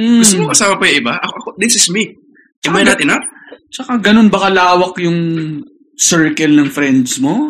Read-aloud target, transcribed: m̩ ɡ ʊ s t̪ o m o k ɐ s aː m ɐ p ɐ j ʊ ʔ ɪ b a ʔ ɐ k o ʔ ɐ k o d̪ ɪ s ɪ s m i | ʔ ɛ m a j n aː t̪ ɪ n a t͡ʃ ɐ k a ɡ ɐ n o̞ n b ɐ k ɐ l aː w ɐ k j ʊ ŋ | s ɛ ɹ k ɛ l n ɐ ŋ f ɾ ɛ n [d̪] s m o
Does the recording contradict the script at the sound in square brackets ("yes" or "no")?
no